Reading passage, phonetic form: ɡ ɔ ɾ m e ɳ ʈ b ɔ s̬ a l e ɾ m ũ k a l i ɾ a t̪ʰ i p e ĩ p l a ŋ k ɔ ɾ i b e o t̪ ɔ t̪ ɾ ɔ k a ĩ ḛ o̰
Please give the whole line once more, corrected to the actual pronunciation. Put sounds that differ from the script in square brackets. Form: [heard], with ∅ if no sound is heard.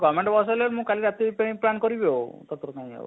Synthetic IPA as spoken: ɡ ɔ [∅] m e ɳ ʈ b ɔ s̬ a l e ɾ m ũ k a l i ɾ a [t̪] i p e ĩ p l a [n] k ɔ ɾ i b e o t̪ ɔ t̪ ɾ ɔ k a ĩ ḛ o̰